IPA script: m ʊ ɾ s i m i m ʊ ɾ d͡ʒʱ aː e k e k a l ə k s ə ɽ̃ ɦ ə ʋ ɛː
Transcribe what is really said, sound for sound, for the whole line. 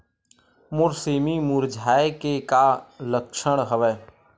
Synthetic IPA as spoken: m ʊ ɾ s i m i m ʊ ɾ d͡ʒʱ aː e k e k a l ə k ʃ ə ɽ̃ ɦ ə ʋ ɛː